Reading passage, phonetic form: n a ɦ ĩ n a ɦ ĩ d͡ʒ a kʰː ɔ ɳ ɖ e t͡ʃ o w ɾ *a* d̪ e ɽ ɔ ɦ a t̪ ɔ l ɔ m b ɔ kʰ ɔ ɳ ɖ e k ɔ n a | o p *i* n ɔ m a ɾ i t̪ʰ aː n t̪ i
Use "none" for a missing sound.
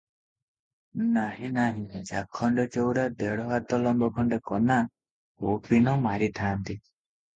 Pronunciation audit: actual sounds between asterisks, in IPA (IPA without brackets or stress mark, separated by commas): a, i